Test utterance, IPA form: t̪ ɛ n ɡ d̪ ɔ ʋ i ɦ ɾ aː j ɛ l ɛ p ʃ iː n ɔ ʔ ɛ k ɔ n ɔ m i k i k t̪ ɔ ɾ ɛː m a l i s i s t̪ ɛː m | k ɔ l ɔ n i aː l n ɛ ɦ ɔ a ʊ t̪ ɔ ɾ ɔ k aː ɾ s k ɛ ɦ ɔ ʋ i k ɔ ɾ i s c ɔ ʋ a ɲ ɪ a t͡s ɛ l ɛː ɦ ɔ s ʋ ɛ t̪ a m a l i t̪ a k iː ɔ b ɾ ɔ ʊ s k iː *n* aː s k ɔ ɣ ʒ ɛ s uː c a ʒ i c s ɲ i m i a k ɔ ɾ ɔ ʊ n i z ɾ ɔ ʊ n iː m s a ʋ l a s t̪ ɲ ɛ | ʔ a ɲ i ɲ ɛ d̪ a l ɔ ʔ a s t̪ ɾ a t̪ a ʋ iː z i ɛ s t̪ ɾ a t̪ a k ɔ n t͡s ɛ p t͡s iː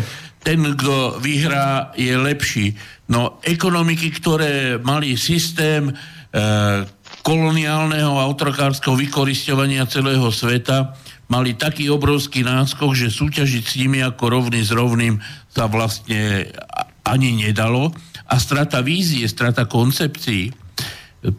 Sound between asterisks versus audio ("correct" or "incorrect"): correct